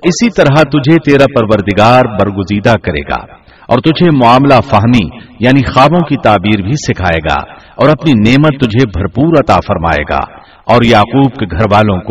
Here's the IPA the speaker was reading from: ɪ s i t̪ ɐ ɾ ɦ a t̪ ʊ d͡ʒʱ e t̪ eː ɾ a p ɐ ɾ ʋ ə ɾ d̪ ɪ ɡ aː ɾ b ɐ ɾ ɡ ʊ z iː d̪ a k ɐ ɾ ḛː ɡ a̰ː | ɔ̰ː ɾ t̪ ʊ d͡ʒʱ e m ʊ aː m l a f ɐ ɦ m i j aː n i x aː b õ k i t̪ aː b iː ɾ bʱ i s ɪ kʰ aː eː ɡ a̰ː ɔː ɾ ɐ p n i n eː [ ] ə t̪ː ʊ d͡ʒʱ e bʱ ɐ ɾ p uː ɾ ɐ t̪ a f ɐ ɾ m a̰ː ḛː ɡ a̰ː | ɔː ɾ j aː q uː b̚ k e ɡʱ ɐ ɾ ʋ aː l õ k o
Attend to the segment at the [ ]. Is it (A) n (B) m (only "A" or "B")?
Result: B